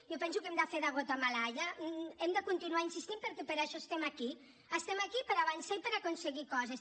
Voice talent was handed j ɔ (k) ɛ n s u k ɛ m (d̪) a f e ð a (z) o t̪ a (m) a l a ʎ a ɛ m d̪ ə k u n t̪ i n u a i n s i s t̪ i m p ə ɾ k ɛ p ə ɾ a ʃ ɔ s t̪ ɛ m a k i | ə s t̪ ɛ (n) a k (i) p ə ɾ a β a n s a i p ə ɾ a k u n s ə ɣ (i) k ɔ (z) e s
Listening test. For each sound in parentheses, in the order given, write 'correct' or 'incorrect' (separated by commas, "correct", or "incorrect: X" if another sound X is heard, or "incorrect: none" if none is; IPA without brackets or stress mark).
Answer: incorrect: p, correct, incorrect: ɣ, correct, incorrect: m, correct, correct, correct